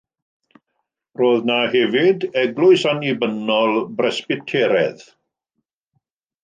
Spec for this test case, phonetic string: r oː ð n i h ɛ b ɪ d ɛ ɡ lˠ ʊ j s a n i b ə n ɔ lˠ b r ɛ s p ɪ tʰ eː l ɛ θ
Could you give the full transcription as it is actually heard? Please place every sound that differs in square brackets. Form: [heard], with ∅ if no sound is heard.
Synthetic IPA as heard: r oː ð n [a] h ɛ [v] ɪ d ɛ ɡ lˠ ʊ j s a n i b ə n ɔ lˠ b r ɛ s p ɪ tʰ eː [ɾ] ɛ [ð]